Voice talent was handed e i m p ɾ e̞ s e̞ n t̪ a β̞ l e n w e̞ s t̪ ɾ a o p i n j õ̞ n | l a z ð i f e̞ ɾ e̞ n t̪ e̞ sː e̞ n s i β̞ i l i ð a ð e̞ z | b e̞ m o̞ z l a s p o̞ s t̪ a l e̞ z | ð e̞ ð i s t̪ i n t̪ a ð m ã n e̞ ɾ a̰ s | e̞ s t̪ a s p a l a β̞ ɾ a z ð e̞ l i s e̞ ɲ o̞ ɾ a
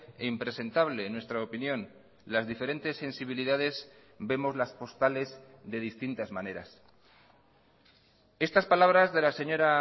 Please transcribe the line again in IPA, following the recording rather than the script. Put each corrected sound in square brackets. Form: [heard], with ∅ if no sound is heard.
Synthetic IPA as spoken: e i m p ɾ e̞ s e̞ n t̪ a β̞ l e n w e̞ s t̪ ɾ a o p i n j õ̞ n | l a z ð i f e̞ ɾ e̞ n t̪ e̞ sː e̞ n s i β̞ i l i ð a ð e̞ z | b e̞ m o̞ z l a s p o̞ s t̪ a l e̞ z | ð e̞ ð i s t̪ i n t̪ a [z] m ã n e̞ ɾ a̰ s | e̞ s t̪ a s p a l a β̞ ɾ a z ð e̞ l [a] s e̞ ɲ o̞ ɾ a

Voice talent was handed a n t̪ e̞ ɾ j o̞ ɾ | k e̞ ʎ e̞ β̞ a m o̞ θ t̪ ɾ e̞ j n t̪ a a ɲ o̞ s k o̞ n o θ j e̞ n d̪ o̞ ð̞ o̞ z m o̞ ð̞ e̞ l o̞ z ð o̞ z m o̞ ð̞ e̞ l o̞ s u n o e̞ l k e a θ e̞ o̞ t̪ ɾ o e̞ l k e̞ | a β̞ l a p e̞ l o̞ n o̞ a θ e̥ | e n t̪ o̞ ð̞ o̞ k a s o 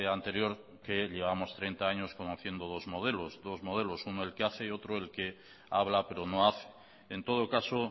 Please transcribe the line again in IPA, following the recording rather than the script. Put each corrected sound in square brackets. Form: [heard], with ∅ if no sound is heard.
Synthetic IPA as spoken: a n t̪ e̞ ɾ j o̞ ɾ | k e̞ ʎ e̞ β̞ a m o̞ [s] t̪ ɾ e̞ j n t̪ a a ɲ o̞ s k o̞ n o θ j e̞ n d̪ o̞ ð̞ o̞ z m o̞ ð̞ e̞ l o̞ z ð o̞ z m o̞ ð̞ e̞ l o̞ s u n o e̞ l k e a θ e̞ o̞ t̪ ɾ o e̞ l k e̞ | a β̞ l a p e̞ [ɾ] o̞ n o̞ a θ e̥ | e n t̪ o̞ ð̞ o̞ k a s o

